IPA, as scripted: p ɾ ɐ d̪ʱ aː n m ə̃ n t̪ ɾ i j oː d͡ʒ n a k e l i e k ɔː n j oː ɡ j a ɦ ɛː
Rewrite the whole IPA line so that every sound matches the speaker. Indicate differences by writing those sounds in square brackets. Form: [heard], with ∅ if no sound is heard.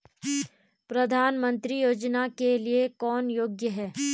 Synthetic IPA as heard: p ɾ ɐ d̪ʱ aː n m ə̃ n t̪ ɾ i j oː d͡ʒ n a k e l i e k ɔː n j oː ɡ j [ə] ɦ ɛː

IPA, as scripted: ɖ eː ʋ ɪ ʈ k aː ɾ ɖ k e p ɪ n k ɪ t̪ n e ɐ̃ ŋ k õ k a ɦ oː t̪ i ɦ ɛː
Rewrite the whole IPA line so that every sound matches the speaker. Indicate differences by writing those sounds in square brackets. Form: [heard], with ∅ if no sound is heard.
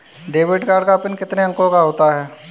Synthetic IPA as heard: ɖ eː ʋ ɪ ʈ k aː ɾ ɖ k [a] p ɪ n k ɪ t̪ n e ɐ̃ ŋ k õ k a ɦ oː t̪ [a] ɦ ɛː

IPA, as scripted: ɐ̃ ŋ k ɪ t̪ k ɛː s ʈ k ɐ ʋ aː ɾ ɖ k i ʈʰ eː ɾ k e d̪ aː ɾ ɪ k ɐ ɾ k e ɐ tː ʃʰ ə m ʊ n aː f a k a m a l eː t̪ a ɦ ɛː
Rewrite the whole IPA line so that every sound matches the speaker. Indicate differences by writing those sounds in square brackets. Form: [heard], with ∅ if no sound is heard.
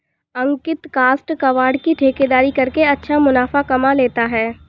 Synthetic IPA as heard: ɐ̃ ŋ k ɪ t̪ k [aː] s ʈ k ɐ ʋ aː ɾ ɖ k i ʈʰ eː [∅] k e d̪ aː ɾ [i] k ɐ ɾ k e ɐ tː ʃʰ [a] m ʊ n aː f a k [ɐ] m a l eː t̪ a ɦ ɛː

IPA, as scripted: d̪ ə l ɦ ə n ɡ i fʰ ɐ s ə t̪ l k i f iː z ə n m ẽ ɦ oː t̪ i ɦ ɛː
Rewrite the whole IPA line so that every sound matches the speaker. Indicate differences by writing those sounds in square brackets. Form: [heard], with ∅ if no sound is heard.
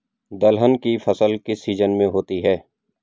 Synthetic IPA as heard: d̪ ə l ɦ ə n [k] i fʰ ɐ s ə [∅] l k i [s] iː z ə n m ẽ ɦ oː t̪ i ɦ ɛː

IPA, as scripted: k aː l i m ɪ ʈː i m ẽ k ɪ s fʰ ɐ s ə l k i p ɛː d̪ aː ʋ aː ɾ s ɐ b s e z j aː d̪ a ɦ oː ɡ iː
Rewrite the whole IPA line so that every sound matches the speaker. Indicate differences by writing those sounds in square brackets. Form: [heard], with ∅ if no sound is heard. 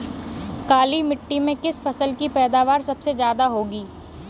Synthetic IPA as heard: k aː l i m ɪ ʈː i m ẽ k ɪ s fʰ ɐ s ə l k i p ɛː d̪ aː ʋ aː ɾ s ɐ b s e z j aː d̪ a ɦ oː ɡ iː

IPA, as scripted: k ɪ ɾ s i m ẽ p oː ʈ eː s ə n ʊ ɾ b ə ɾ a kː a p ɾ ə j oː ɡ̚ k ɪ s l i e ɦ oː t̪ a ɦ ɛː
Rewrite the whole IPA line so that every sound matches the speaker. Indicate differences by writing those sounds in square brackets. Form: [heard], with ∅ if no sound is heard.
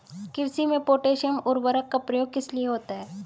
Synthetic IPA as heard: k ɪ ɾ s i m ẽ p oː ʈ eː [ʃ] ə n ʊ ɾ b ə ɾ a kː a p ɾ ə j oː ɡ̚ k ɪ s l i e ɦ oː t̪ a ɦ ɛː

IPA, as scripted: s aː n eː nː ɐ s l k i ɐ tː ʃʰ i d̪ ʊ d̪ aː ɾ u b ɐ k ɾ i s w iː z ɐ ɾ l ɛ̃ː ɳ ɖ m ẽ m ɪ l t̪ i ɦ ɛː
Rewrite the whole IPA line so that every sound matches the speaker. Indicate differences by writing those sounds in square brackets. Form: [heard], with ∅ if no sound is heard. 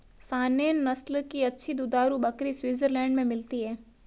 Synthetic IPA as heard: s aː n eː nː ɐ s l k i ɐ tː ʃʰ i d̪ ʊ d̪ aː ɾ u b ɐ k ɾ i s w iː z [ə] ɾ l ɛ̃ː ɳ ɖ m ẽ m ɪ l t̪ i ɦ ɛː

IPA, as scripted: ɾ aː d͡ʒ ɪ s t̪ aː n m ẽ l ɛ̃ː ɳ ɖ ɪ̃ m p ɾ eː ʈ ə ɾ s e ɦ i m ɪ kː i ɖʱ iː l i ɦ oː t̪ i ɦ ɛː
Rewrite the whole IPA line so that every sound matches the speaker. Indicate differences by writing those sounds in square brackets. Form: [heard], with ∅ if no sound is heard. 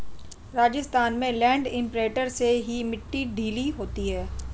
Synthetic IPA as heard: ɾ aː d͡ʒ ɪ s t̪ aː n m ẽ l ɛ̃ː ɳ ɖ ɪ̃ m p ɾ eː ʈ ə ɾ s e ɦ i m ɪ [ʈː] i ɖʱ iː l i ɦ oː t̪ i ɦ ɛː

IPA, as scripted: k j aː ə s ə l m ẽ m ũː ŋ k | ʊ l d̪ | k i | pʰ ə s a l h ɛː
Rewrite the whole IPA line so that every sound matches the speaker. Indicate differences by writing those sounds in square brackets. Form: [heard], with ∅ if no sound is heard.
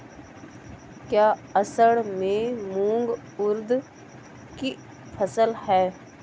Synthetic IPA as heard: k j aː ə s ə [ɽ] m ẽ m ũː ŋ [ɡ] | ʊ [ɾ] d̪ | k i | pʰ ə s [ə] l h ɛː

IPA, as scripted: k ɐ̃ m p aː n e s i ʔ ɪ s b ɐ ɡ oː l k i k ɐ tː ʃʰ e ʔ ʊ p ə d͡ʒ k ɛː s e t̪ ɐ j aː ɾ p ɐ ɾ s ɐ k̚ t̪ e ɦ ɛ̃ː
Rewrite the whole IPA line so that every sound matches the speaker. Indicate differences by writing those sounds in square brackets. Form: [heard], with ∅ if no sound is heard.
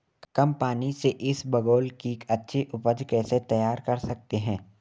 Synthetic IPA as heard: k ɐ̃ m p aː n [i] s [e] ʔ ɪ s b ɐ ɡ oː l k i k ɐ tː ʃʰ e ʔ ʊ p ə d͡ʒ k ɛː s e t̪ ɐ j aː ɾ [k] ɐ ɾ s ɐ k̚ t̪ e ɦ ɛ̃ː

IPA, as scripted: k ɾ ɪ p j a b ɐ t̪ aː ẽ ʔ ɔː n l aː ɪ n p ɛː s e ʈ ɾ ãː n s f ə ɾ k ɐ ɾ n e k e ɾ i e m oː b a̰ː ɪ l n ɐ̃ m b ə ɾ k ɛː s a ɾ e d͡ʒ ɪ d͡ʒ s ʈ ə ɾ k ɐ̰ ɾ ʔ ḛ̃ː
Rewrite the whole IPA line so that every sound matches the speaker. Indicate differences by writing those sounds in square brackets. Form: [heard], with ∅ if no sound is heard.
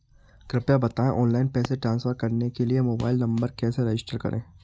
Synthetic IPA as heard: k ɾ ɪ p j a b ɐ t̪ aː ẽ ʔ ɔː n l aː ɪ n p ɛː s e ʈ ɾ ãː n s f ə ɾ k ɐ ɾ n e k e [l] i e m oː b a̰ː ɪ l n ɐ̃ m b ə ɾ k ɛː s [e] ɾ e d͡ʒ ɪ [∅] s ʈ ə ɾ k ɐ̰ ɾ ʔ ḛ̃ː

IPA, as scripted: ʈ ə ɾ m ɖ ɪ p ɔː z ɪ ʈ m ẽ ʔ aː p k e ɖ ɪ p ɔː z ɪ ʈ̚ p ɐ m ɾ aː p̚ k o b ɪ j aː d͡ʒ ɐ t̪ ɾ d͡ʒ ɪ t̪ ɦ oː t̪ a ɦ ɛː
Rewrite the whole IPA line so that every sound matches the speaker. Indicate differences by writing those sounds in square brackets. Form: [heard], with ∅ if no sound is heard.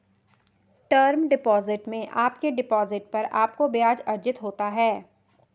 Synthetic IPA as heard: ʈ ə ɾ m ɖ ɪ p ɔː z ɪ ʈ m ẽ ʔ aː p k e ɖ ɪ p ɔː z ɪ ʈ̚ p ɐ [∅] ɾ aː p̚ k o b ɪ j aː d͡ʒ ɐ [∅] ɾ d͡ʒ ɪ t̪ ɦ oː t̪ a ɦ ɛː

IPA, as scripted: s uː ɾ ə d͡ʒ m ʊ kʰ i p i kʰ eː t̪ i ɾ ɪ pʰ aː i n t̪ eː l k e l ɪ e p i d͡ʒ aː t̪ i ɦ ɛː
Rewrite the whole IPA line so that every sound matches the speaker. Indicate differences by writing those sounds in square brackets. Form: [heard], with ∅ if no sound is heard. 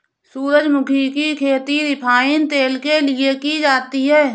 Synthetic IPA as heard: s uː ɾ ə d͡ʒ m ʊ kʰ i [k] i kʰ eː t̪ i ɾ ɪ pʰ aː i n t̪ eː l k e l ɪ e [k] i d͡ʒ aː t̪ i ɦ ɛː

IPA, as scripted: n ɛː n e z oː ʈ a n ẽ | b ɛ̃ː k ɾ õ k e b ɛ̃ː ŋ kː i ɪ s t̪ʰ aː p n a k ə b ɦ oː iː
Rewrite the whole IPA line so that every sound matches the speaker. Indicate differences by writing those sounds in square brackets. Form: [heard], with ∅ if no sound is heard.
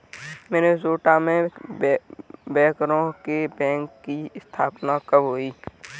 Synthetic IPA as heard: [m] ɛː n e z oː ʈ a [m] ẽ | b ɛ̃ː k ɾ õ k e b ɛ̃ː ŋ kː i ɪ s t̪ʰ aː p n a k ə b ɦ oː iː

